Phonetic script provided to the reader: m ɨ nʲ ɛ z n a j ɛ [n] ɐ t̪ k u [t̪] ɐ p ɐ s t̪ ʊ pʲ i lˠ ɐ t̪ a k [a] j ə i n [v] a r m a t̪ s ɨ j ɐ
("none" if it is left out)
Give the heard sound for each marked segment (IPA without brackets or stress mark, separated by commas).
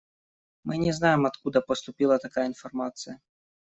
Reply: m, d̪, a, f